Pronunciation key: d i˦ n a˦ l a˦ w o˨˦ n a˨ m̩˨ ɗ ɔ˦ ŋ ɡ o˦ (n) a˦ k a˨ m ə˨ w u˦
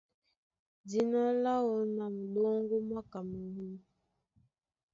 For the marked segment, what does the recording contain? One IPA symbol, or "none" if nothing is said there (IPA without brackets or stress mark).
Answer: m